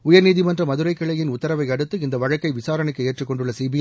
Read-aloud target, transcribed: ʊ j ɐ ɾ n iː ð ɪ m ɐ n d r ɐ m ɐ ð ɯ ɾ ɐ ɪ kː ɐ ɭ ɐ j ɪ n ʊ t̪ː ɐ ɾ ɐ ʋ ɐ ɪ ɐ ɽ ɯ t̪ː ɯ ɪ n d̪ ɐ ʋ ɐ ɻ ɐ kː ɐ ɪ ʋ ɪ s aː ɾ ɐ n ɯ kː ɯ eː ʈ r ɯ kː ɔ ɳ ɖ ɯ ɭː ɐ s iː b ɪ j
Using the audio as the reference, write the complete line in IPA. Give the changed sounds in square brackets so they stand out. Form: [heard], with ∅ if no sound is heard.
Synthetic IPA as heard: ʊ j ɐ ɾ n iː ð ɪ m ɐ n d r ɐ m ɐ ð ɯ ɾ ɐ ɪ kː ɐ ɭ ɐ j ɪ n ʊ t̪ː ɐ ɾ ɐ ʋ ɐ ɪ ɐ ɽ ɯ t̪ː ɯ ɪ n d̪ ɐ ʋ ɐ ɻ ɐ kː ɐ ɪ ʋ ɪ s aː ɾ ɐ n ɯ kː ɯ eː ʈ r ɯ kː ɔ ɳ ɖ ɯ ɭː ɐ s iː b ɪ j